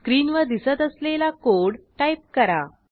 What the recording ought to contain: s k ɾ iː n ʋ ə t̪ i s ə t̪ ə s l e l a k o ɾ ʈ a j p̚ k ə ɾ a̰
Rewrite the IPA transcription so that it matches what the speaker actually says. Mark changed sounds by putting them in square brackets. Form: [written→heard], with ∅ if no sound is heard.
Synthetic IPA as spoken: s k ɾ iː n ʋ ə [t̪→d̪] i s ə t̪ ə s l e l a k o [ɾ→ɽ] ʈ a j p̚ k ə ɾ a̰